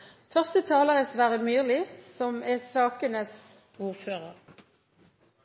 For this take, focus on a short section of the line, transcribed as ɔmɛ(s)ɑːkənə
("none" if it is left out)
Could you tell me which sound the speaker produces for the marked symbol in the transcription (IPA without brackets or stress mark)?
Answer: s